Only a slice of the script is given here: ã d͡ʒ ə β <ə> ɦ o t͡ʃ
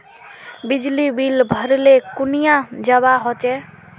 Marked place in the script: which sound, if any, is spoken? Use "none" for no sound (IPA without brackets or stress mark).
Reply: a